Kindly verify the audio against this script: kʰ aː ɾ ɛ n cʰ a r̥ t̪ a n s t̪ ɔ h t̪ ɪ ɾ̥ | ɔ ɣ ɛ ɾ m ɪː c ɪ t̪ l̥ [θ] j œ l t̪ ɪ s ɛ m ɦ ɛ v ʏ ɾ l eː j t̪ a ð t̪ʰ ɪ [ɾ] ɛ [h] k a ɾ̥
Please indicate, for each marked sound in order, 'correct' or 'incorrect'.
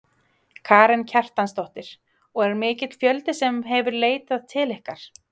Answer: incorrect, incorrect, correct

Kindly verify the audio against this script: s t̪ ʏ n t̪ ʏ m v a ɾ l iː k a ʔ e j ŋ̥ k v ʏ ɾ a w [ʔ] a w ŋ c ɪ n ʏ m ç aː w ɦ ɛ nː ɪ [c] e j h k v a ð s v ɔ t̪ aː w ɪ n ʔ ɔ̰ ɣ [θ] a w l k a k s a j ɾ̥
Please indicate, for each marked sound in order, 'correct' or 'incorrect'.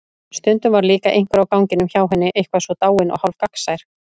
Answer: incorrect, incorrect, incorrect

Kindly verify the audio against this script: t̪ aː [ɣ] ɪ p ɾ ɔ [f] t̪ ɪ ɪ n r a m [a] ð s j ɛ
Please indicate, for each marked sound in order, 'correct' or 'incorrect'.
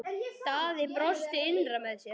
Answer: incorrect, incorrect, incorrect

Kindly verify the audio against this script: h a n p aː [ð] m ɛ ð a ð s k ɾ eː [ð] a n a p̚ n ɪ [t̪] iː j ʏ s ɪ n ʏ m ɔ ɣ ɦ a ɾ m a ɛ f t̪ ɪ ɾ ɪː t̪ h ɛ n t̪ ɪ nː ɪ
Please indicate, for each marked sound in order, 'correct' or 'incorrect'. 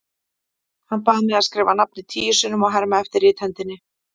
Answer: correct, incorrect, incorrect

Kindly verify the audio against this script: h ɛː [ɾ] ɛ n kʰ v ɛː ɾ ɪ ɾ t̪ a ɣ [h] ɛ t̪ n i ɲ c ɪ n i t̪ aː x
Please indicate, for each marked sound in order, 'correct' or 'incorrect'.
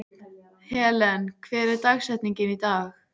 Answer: incorrect, incorrect

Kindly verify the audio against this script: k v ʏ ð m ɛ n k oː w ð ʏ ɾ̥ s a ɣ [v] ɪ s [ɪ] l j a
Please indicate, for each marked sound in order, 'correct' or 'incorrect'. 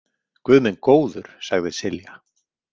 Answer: incorrect, correct

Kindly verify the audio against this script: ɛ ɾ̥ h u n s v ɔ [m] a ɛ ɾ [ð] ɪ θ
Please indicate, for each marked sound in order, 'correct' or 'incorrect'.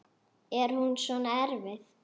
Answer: incorrect, incorrect

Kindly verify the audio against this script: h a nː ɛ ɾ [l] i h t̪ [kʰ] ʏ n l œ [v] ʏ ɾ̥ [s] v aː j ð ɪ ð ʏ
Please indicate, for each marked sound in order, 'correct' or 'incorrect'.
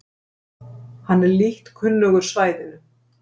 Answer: correct, correct, incorrect, correct

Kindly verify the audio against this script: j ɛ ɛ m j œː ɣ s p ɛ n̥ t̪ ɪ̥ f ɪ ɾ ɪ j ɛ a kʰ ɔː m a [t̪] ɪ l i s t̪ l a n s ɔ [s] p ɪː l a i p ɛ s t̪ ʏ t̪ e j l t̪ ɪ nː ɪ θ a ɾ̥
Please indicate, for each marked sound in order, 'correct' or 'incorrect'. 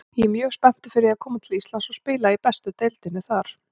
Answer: incorrect, correct

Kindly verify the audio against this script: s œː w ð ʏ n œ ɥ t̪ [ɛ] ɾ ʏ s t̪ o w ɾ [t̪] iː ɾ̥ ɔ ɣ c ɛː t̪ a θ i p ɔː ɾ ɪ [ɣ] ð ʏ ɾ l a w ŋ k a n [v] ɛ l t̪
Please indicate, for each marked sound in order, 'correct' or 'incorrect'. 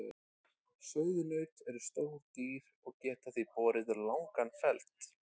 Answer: correct, correct, incorrect, incorrect

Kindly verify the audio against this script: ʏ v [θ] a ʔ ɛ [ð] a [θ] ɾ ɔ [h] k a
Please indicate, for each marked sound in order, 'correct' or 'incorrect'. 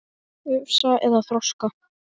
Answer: incorrect, correct, correct, incorrect

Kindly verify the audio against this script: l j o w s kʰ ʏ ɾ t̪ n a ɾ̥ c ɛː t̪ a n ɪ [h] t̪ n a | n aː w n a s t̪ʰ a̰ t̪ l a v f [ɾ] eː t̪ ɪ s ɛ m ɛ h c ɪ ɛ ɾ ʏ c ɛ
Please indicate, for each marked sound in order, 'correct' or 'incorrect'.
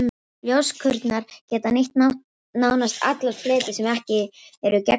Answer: correct, incorrect

